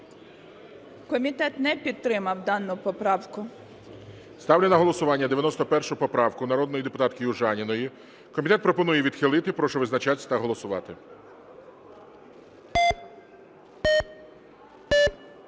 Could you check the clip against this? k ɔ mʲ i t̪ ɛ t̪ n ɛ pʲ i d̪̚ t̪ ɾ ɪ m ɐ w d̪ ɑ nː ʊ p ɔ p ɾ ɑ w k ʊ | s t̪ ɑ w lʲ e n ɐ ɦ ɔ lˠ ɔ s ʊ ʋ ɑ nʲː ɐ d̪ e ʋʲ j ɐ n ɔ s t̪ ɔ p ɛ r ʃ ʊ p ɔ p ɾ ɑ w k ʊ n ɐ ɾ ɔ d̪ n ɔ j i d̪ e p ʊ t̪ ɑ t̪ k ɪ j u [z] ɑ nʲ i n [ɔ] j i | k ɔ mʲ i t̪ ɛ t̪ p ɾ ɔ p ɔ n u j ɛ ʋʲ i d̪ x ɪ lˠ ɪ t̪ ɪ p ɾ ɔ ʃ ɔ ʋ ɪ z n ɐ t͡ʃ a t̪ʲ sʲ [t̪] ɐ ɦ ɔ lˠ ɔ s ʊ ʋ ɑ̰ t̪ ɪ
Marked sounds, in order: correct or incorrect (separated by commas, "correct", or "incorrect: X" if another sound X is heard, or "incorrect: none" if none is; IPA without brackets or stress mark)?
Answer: incorrect: ʒ, correct, correct